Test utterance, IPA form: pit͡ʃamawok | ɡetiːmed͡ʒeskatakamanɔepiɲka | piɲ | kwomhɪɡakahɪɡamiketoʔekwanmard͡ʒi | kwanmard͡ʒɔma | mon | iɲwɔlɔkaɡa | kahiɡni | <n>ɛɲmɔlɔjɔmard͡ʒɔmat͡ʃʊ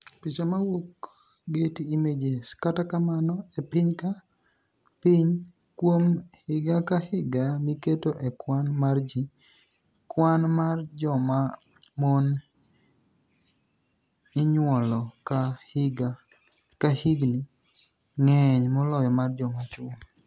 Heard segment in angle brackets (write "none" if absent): ŋ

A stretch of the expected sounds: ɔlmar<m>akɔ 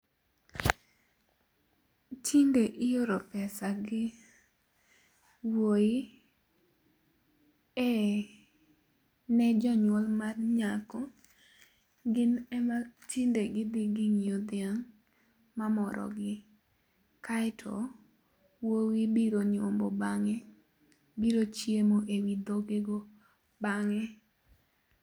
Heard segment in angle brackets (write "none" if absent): ɲ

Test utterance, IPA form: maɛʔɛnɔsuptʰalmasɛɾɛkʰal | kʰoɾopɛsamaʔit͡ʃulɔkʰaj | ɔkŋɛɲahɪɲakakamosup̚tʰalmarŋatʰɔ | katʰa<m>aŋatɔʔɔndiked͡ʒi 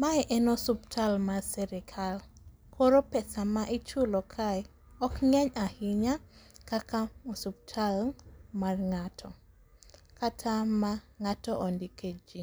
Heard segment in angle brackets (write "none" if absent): m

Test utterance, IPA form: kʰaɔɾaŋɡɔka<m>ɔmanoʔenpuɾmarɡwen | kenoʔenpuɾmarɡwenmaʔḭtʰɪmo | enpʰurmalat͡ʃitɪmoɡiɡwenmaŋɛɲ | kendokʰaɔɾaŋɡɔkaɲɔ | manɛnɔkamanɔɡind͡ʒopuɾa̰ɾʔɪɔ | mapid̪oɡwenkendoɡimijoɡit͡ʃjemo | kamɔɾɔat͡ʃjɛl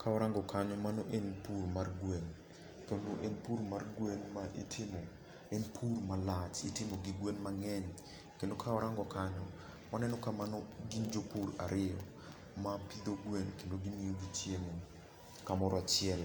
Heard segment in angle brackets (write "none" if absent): ɲ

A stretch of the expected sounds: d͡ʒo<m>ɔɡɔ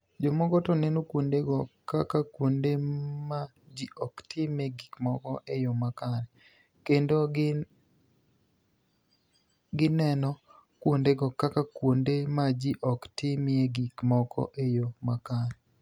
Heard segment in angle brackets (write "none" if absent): m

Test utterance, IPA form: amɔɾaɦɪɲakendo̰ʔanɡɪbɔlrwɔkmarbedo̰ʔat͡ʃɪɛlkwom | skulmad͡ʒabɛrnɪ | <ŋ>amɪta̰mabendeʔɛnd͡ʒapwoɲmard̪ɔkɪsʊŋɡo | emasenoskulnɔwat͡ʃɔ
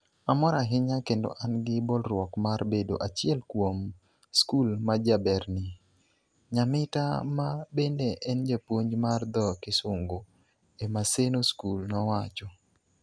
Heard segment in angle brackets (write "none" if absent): ɲ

